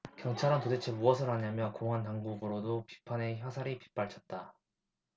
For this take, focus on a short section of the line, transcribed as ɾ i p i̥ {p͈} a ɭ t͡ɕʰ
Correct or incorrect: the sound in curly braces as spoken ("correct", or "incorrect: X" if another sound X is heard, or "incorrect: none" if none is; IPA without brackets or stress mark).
correct